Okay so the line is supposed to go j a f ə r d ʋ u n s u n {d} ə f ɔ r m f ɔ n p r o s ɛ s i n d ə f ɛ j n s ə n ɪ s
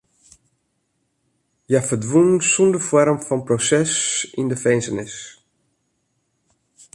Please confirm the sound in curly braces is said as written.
yes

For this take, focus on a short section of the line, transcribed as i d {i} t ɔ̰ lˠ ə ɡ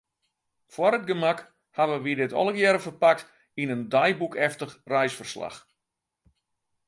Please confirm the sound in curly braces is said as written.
no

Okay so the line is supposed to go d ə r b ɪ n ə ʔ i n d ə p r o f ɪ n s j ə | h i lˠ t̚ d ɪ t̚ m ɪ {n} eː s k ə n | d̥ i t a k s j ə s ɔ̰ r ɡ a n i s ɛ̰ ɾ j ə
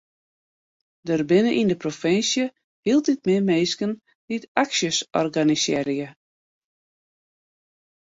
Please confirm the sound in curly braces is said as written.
no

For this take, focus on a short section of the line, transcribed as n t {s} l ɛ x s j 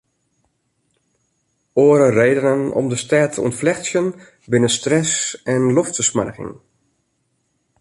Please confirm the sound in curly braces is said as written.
no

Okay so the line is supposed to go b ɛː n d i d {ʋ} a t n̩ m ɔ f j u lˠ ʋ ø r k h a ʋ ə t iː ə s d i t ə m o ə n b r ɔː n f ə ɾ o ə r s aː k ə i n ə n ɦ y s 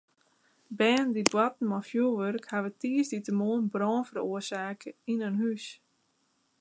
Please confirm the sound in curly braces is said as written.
no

